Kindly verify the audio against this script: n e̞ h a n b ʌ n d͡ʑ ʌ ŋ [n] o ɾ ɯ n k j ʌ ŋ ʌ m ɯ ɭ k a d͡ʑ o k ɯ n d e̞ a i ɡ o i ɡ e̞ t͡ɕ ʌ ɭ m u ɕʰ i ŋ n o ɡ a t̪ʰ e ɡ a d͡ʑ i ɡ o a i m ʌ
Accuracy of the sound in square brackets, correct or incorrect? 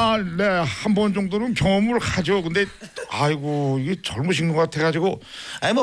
incorrect